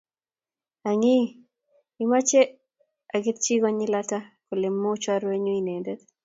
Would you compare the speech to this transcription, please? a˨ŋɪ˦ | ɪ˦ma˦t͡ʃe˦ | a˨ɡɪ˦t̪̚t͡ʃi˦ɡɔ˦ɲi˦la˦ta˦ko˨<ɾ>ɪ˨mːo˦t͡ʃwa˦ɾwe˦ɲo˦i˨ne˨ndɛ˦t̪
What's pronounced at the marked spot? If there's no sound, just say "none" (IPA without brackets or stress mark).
l